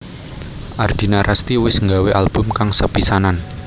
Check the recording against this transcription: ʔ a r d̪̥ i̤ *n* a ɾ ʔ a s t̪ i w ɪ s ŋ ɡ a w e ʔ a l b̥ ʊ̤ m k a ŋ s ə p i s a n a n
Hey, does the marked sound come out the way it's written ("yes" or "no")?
yes